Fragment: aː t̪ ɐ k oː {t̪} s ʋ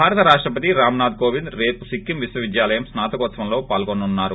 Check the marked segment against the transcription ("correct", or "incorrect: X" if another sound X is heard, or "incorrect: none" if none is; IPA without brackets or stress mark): correct